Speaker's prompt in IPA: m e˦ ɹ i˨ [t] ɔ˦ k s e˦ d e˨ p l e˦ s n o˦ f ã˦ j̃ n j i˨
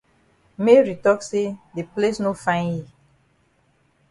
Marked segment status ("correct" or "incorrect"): correct